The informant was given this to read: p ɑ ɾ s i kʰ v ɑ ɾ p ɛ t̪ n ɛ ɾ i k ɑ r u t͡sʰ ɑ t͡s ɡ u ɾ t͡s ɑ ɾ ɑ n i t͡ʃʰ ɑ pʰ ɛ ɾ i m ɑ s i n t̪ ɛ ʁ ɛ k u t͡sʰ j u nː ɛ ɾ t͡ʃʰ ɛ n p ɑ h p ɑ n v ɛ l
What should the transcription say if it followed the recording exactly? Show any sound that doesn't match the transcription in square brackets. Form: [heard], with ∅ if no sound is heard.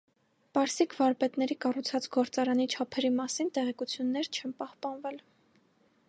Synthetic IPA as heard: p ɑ ɾ s i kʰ v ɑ ɾ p ɛ t̪ n ɛ ɾ i k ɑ r u t͡sʰ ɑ t͡s ɡ [ɔ] ɾ t͡s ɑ ɾ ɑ n i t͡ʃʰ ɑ pʰ ɛ ɾ i m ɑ s i n t̪ ɛ ʁ ɛ k u t͡sʰ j u nː ɛ ɾ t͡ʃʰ ɛ n p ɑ h p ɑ n v ɛ l